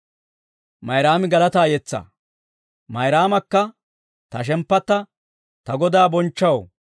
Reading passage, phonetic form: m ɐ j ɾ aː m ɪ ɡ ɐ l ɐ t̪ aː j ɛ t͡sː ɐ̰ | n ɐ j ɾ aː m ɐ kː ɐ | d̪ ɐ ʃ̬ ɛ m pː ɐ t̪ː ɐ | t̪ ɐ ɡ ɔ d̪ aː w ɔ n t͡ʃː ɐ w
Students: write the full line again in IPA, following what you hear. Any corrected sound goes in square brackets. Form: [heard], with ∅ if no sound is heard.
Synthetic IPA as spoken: m ɐ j ɾ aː m ɪ ɡ ɐ l ɐ t̪ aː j ɛ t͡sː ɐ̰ | [m] ɐ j ɾ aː m ɐ kː ɐ | [t̪] ɐ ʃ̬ ɛ m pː ɐ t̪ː ɐ | t̪ ɐ ɡ ɔ d̪ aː [b] ɔ n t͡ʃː ɐ w